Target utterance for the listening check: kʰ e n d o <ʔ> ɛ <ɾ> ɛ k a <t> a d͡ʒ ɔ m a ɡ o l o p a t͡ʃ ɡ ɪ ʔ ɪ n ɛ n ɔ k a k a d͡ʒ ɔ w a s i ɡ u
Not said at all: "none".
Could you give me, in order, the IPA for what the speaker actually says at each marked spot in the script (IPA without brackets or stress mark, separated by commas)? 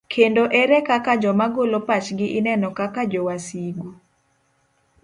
ʔ, ɾ, k